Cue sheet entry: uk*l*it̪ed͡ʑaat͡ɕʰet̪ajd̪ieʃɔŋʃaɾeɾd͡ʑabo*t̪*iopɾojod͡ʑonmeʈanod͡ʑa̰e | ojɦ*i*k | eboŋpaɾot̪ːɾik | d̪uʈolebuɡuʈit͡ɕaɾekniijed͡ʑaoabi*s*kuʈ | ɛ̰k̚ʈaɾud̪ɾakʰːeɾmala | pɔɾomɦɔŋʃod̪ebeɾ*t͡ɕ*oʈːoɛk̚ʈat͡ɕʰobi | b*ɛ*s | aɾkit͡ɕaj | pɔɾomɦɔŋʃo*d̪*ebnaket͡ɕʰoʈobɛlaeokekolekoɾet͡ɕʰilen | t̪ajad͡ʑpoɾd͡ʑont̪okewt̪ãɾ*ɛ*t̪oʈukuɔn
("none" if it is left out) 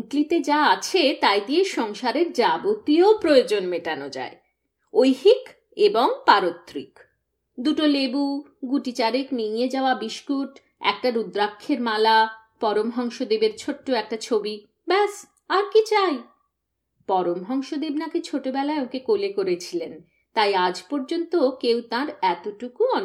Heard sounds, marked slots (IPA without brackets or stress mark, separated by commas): l, t̪, i, ʃ, t͡ɕʰ, ɛ, d̪, ɛ